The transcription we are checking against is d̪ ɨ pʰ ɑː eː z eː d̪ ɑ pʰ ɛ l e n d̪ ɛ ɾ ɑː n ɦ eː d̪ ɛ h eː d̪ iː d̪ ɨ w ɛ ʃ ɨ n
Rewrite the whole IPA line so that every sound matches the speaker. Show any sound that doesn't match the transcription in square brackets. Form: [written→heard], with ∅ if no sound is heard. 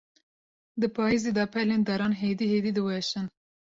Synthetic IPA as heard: d̪ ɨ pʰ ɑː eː z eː d̪ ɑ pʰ ɛ l e n d̪ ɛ ɾ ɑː n ɦ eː d̪ [ɛ→i] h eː d̪ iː d̪ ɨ w ɛ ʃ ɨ n

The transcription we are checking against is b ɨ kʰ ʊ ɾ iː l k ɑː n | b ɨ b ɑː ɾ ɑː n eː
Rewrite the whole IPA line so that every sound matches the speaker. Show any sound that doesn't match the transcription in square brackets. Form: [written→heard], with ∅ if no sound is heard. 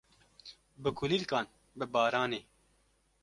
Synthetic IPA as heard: b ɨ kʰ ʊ [ɾ→l] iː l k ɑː n | b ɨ b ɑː ɾ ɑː n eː

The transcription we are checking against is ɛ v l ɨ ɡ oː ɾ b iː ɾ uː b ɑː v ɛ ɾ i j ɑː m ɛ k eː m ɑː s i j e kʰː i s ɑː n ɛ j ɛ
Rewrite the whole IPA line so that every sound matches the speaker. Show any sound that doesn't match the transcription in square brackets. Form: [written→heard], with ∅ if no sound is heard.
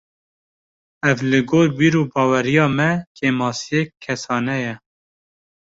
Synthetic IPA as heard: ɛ v l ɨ ɡ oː ɾ b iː ɾ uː b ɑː [v→w] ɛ ɾ i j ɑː m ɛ k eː m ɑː s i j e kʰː [i→ɛ] s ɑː n ɛ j ɛ

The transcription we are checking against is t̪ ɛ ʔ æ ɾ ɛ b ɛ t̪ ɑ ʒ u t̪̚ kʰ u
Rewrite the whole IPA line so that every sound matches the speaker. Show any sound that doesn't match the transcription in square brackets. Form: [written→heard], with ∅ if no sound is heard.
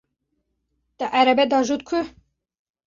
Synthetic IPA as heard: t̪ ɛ ʔ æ ɾ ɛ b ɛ [t̪→d̪] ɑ ʒ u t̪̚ kʰ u

